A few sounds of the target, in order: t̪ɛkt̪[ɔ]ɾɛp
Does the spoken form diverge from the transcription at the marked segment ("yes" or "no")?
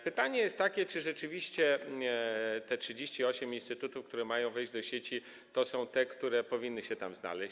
yes